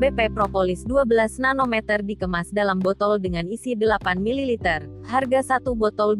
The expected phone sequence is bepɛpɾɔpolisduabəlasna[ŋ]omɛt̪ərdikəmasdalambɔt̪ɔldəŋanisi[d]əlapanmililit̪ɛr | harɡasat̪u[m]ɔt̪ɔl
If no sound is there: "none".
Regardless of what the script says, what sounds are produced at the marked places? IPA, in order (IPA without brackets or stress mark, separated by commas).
n, d, b